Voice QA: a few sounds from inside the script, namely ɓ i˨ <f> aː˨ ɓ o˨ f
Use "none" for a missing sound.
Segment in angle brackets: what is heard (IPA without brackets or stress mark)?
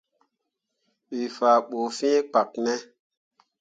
f